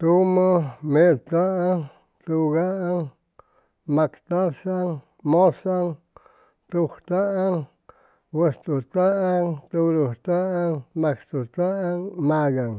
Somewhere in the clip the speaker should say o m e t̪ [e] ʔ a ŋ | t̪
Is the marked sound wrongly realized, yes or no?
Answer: yes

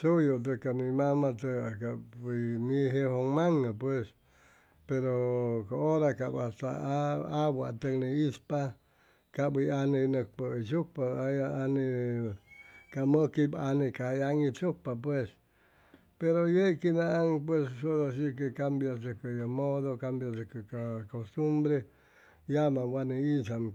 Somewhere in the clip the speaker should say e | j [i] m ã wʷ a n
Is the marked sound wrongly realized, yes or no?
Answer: yes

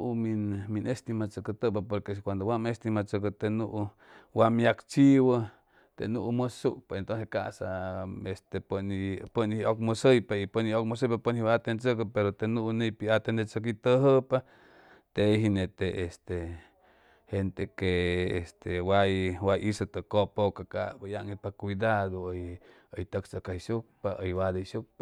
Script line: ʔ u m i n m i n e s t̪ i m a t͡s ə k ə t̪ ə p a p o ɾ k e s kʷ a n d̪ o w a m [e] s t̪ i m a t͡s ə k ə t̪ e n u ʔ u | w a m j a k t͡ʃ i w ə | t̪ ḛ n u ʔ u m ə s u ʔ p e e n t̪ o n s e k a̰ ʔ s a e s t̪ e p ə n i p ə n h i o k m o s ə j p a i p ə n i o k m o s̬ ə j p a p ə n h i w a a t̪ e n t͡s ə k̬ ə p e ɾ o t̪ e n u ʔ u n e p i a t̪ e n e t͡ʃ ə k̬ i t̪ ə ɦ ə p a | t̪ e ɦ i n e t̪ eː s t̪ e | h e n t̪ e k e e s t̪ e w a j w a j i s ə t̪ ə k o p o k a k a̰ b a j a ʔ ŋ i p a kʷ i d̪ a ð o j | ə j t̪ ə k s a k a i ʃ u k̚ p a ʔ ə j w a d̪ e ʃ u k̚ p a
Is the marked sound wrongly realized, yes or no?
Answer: no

